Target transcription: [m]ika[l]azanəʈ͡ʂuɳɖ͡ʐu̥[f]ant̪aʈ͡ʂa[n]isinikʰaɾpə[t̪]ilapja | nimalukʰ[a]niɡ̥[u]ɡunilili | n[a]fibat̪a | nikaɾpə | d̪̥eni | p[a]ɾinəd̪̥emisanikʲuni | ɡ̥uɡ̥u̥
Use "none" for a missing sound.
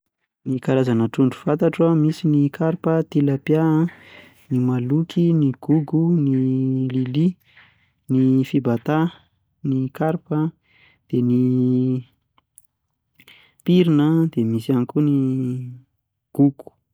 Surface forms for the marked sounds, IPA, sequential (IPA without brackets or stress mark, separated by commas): n, ɾ, f, m, t̪, i, u, i, i